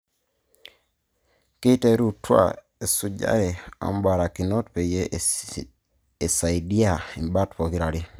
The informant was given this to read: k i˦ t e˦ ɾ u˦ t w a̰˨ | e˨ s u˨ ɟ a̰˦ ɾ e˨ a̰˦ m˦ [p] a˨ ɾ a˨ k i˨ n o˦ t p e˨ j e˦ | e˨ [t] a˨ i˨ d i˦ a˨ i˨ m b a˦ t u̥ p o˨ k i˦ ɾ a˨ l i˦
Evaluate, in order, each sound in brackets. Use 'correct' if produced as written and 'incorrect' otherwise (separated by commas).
incorrect, incorrect